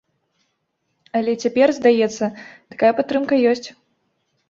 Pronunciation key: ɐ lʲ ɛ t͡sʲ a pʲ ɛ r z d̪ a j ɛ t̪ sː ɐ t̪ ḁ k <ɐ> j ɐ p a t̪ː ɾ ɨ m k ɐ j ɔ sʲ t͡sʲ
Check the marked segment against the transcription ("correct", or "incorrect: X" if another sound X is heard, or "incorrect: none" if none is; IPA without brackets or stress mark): incorrect: a